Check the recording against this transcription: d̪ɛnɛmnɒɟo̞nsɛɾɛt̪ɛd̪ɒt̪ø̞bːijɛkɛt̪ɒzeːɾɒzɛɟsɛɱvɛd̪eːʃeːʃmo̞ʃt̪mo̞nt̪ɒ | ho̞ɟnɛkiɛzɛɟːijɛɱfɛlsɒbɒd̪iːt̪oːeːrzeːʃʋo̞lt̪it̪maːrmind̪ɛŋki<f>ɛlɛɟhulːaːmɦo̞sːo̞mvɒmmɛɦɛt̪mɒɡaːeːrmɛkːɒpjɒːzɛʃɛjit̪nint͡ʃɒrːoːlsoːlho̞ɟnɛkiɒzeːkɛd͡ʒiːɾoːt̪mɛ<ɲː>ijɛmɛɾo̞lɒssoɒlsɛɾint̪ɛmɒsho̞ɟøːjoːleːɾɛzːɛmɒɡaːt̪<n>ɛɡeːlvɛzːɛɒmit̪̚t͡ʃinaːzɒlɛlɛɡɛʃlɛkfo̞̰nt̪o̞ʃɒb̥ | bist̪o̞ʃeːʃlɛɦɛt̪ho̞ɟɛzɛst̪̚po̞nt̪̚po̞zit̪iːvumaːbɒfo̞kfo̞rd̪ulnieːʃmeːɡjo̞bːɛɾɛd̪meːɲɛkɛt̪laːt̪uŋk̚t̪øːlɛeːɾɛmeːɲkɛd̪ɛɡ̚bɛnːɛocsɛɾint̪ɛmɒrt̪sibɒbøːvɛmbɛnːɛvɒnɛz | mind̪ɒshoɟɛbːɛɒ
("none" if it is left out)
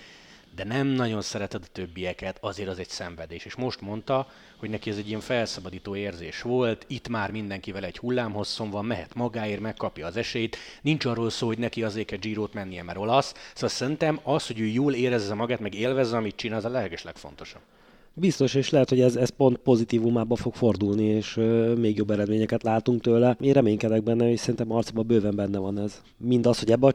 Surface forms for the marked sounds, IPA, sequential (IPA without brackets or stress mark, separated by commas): v, nː, m